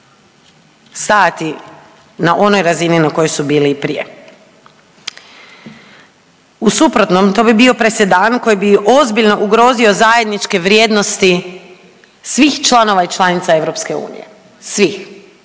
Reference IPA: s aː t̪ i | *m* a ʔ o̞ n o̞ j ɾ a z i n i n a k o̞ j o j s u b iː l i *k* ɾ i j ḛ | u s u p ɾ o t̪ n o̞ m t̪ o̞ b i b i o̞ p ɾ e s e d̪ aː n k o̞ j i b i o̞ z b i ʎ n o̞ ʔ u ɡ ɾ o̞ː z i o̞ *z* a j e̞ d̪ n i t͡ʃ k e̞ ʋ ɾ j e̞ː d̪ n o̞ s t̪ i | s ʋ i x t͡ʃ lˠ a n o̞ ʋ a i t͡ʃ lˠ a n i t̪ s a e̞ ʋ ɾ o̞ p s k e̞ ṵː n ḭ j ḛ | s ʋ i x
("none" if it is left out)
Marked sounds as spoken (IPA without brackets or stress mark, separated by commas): n, p, z